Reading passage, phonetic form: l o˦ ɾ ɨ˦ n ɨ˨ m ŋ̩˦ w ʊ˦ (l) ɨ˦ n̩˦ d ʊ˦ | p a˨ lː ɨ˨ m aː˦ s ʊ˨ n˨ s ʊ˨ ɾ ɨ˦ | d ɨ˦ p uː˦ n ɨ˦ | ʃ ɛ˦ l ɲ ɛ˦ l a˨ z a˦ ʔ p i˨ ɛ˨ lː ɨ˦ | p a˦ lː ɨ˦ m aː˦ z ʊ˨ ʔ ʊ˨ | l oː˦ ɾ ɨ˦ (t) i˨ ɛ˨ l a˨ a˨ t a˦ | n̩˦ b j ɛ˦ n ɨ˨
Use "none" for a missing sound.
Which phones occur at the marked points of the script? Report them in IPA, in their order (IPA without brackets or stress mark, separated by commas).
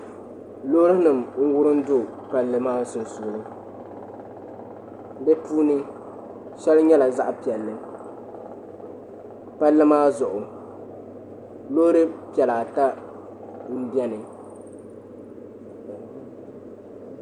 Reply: ɾ, p